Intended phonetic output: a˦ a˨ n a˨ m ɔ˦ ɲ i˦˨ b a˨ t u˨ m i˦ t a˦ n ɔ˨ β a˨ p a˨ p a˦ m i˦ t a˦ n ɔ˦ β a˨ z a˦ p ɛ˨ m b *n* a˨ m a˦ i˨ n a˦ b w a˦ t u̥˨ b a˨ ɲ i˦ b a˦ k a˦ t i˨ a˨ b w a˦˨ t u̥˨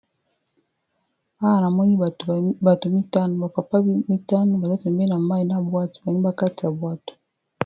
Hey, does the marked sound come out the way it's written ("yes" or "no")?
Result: yes